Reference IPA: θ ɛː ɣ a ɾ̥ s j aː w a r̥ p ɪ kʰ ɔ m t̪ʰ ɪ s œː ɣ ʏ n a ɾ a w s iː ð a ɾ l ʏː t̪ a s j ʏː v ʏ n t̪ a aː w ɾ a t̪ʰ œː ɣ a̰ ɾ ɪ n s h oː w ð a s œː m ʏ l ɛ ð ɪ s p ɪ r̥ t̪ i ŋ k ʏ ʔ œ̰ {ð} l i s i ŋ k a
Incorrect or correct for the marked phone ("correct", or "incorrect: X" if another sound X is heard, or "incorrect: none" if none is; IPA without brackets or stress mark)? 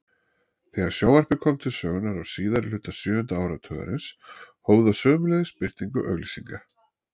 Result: incorrect: ɣ